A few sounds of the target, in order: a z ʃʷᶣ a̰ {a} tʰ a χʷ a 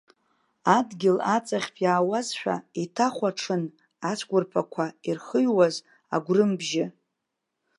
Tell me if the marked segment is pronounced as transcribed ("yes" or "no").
no